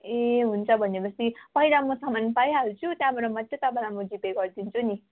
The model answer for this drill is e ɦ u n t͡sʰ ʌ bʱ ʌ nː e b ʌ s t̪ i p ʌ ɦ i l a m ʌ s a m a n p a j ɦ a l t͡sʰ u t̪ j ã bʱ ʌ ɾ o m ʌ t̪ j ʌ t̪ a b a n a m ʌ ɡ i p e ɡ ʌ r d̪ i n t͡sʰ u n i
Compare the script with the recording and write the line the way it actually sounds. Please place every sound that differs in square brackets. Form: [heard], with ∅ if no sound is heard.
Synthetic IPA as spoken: e ɦ u n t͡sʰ ʌ bʱ ʌ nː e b ʌ s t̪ i p ʌ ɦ i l a m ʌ s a m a n p a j ɦ a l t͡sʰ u t̪ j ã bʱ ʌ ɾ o m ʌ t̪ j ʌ t̪ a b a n a m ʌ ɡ i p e ɡ ʌ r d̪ i n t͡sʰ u n i